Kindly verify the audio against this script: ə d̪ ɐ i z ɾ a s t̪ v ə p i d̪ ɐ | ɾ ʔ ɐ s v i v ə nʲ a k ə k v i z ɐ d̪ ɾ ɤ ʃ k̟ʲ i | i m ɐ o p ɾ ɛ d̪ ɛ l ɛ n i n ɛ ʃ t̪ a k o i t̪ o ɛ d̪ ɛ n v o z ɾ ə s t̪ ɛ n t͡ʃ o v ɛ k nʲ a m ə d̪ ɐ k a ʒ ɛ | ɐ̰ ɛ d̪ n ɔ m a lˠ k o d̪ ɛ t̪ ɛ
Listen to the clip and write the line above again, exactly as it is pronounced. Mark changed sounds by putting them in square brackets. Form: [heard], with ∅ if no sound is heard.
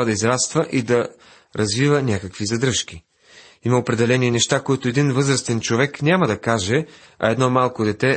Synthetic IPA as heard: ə d̪ ɐ i z ɾ a s t̪ v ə [ʔ] i d̪ ɐ | ɾ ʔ ɐ [z] v i v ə nʲ a k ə k v i z ɐ d̪ ɾ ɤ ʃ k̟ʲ i | i m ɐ o p ɾ ɛ d̪ ɛ l ɛ n i n ɛ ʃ t̪ a k o i t̪ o ɛ d̪ [i] n v [ɤ] z ɾ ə s t̪ ɛ n t͡ʃ o v ɛ k nʲ a m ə d̪ ɐ k a ʒ ɛ | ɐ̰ ɛ d̪ n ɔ m a lˠ k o d̪ ɛ t̪ ɛ